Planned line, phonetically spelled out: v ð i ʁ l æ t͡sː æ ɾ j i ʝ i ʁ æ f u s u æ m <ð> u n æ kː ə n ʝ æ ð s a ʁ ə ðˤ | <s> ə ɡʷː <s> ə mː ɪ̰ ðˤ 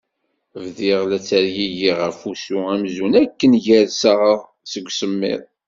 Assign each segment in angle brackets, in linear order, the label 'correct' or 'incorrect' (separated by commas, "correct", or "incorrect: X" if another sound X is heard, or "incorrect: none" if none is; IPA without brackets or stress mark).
incorrect: z, correct, correct